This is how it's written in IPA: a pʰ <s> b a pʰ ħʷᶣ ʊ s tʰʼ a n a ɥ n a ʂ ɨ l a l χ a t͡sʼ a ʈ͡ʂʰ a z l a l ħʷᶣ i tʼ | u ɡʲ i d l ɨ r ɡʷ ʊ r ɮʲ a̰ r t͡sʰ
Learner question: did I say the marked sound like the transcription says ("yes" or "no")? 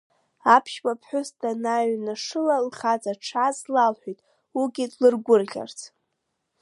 no